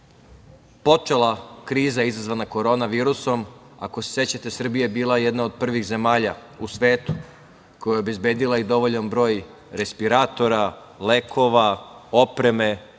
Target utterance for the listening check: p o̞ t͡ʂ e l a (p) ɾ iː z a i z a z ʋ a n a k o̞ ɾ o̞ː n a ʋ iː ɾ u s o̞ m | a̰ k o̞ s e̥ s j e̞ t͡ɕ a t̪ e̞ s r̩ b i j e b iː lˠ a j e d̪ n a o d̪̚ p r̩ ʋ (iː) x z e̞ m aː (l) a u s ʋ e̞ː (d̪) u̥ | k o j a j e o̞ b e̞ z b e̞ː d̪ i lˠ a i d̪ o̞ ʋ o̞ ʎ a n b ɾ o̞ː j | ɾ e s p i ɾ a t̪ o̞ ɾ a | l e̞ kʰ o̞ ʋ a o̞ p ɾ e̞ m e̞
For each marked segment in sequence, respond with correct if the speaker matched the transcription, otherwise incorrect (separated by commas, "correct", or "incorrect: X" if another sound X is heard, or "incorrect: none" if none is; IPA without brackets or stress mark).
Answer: incorrect: k, incorrect: i, incorrect: ʎ, incorrect: t̪